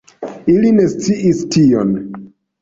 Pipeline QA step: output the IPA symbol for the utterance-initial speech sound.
i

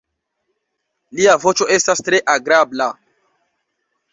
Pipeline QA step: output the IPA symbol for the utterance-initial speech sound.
l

